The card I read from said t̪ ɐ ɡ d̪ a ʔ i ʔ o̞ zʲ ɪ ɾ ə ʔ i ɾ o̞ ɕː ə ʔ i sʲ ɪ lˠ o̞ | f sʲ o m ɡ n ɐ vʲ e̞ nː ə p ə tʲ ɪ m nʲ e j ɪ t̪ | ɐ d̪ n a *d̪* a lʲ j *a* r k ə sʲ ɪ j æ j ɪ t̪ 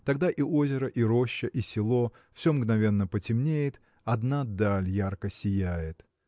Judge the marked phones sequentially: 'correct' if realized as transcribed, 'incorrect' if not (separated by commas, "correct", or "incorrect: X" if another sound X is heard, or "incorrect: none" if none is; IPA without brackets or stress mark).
correct, correct